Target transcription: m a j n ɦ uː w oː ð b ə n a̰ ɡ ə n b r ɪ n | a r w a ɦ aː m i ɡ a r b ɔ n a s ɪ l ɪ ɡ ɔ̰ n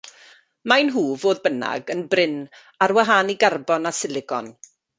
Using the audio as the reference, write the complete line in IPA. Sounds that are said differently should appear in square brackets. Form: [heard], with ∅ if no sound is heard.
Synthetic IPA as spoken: m a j n ɦ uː [v] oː ð b ə n a̰ ɡ ə n b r ɪ n | a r w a ɦ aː [n] i ɡ a r b ɔ n a s ɪ l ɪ ɡ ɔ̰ n